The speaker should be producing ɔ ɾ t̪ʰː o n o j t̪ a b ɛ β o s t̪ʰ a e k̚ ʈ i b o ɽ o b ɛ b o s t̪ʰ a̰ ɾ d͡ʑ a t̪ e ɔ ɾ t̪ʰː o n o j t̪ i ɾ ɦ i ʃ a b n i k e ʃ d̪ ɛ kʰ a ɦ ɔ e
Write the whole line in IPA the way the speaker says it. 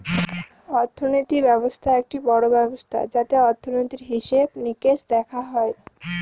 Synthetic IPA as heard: ɔ ɾ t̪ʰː o n o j t̪ i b ɛ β o s t̪ʰ a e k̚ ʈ i b ɔ ɽ o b ɛ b o s t̪ʰ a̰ d͡ʑ a t̪ e ɔ ɾ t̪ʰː o n o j t̪ i ɾ ɦ i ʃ e b n i k e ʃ d̪ ɛ kʰ a ɦ ɔ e